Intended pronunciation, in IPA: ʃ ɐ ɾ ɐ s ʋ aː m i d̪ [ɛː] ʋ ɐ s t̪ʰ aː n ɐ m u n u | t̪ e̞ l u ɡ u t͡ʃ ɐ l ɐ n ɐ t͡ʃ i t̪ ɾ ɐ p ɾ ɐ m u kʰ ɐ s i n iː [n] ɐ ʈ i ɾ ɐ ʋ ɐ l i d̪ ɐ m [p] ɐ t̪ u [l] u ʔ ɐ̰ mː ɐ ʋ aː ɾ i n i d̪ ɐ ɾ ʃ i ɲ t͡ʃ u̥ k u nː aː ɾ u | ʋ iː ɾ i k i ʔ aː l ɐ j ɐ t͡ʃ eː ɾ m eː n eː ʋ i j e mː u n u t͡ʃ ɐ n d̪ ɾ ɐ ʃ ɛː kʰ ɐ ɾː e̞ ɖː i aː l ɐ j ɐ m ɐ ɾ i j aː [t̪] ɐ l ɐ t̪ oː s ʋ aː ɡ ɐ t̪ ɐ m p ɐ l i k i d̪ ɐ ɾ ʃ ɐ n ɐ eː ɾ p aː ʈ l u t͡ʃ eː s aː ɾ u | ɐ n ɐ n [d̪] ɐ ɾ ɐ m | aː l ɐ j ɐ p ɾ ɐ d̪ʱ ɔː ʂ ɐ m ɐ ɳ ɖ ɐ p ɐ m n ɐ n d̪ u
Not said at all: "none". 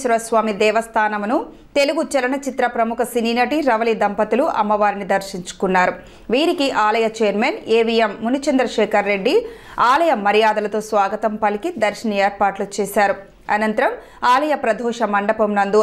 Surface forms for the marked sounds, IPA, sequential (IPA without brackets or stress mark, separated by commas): ɛː, n, p, l, d̪, t̪